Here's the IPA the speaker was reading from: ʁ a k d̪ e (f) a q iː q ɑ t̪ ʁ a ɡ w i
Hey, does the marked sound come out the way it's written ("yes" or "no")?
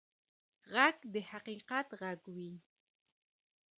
no